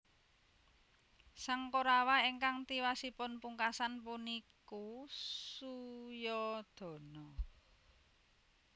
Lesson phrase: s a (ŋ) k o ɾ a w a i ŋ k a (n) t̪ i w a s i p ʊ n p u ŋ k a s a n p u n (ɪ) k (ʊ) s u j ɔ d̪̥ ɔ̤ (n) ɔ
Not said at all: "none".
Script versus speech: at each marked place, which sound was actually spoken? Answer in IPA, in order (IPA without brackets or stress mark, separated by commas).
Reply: ŋ, ŋ, i, u, n